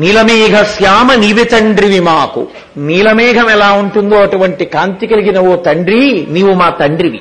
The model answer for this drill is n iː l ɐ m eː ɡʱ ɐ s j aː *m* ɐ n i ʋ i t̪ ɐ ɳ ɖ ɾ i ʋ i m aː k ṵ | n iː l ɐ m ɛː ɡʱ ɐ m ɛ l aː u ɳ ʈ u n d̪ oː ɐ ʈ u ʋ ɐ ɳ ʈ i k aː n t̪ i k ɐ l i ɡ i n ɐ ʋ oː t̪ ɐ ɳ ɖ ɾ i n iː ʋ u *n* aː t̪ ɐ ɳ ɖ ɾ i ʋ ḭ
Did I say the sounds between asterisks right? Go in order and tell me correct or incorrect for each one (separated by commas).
correct, incorrect